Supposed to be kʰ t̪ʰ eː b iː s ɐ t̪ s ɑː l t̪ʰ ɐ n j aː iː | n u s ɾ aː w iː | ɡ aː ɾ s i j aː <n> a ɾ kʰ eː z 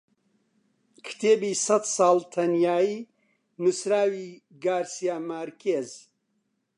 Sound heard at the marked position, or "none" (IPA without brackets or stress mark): m